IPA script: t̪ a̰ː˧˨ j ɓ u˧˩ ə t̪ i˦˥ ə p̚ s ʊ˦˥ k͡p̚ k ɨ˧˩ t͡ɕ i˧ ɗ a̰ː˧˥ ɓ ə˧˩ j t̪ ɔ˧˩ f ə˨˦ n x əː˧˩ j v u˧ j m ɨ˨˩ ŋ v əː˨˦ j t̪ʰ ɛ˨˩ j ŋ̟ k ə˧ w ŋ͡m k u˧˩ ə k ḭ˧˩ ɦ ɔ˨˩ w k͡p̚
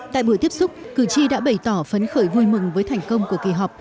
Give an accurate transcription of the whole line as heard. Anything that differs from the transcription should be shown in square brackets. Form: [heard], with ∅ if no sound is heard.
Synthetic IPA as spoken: t̪ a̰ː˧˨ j ɓ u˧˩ ə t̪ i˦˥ ə p̚ s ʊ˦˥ k͡p̚ k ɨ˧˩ t͡ɕ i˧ ɗ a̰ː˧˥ ɓ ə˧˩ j t̪ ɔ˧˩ f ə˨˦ n x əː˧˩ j v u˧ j m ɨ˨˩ ŋ v əː˨˦ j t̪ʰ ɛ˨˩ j ŋ̟ k ə˧ w ŋ͡m k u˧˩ ə k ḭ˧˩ ɦ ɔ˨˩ w k͡p̚